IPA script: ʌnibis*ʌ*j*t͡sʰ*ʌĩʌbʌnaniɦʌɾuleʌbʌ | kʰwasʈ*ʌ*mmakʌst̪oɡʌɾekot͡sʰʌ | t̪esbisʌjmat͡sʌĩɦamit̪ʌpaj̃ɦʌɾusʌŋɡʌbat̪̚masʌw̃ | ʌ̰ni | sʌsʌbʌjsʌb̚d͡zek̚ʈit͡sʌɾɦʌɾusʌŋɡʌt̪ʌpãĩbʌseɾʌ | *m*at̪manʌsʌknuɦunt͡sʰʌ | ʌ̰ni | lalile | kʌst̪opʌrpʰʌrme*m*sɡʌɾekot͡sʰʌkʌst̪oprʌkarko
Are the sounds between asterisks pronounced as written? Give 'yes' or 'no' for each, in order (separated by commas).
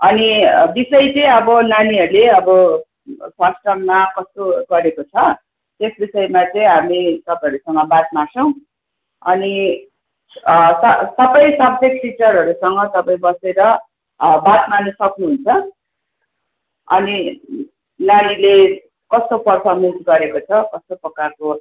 yes, no, yes, no, no